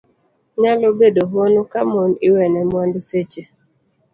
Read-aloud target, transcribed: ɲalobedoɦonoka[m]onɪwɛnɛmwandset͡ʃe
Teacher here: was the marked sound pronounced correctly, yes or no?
yes